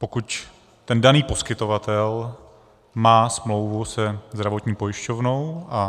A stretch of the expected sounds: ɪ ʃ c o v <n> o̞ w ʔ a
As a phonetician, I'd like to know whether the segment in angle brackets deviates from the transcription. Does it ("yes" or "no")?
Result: no